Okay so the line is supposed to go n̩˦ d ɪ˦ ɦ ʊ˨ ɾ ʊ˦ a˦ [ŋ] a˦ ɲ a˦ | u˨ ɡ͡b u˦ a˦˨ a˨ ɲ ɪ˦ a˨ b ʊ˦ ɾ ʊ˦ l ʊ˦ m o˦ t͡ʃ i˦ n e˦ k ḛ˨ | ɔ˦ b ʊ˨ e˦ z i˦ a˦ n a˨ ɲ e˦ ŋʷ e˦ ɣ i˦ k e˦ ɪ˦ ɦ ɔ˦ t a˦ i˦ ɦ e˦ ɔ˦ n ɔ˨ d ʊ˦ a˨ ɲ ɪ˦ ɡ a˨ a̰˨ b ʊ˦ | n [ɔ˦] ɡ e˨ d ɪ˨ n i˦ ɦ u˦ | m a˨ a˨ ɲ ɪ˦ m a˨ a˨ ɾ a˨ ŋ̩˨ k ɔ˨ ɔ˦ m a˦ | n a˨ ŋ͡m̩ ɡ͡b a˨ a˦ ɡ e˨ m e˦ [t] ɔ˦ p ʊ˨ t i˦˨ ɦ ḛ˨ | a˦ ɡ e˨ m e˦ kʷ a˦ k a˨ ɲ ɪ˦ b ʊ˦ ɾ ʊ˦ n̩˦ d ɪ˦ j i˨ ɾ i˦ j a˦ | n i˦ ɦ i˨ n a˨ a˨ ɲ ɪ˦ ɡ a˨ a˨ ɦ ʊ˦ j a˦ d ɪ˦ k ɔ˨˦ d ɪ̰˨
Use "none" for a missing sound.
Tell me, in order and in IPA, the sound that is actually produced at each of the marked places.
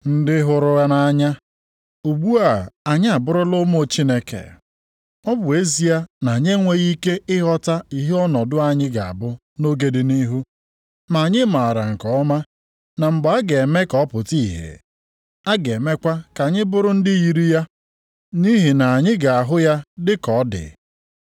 n, o˦, k

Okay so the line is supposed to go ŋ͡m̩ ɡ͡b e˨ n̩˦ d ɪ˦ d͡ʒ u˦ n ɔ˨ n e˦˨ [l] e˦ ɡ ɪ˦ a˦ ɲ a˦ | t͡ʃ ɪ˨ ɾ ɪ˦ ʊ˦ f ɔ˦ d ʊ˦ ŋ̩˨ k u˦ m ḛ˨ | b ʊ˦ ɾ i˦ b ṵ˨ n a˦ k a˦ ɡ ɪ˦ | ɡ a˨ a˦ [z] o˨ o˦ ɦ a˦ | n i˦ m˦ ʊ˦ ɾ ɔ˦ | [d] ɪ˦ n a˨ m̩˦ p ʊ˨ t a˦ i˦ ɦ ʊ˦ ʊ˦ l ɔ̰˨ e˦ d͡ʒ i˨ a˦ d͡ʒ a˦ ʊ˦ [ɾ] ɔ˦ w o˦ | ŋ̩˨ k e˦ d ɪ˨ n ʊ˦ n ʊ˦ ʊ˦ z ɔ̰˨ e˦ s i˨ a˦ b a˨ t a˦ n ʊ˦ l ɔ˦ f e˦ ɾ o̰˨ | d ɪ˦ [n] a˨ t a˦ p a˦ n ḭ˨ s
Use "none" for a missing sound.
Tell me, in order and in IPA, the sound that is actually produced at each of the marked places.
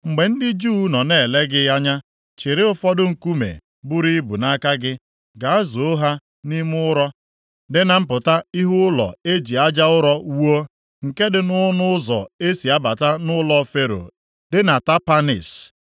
l, z, d, ɾ, n

